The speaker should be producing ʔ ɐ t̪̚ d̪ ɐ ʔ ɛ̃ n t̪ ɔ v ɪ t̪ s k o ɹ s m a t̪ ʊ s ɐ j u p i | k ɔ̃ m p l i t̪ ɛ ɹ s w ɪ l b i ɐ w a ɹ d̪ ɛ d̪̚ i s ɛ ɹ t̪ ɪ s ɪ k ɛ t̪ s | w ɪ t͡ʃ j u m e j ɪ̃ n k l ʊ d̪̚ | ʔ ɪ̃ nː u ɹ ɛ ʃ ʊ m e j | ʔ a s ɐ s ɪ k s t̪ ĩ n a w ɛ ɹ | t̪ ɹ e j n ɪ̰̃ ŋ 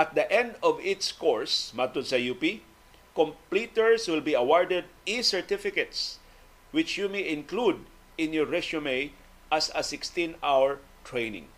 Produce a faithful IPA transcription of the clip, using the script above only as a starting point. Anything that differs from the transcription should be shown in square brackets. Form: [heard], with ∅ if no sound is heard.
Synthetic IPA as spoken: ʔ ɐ t̪̚ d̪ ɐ ʔ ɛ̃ n [d̪] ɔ v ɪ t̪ s k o ɹ s m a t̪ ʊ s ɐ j u p i | k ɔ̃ m p l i t̪ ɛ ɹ s w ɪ l b i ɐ w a ɹ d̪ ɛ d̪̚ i s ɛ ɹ t̪ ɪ [f] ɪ k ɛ t̪ s | w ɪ t͡ʃ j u m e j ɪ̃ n k l [u] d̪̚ | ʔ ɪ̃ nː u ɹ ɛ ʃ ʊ m e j | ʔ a s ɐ s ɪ k s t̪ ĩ n a w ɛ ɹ | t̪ ɹ e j n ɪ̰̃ ŋ